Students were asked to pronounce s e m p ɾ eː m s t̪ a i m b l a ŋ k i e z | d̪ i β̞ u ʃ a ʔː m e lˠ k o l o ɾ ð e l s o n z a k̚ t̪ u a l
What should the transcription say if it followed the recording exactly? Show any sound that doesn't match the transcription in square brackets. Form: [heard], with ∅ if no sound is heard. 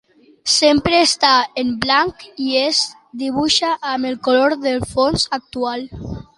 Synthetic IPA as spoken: s e m p ɾ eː [∅] s t̪ a [e] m b l a ŋ k i e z | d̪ i β̞ u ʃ a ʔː m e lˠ k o l o ɾ ð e l [f] o n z a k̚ t̪ u a l